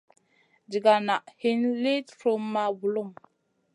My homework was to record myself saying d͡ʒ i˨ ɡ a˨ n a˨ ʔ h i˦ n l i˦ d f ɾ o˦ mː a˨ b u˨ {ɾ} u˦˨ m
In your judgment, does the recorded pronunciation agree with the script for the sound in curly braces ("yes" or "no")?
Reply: no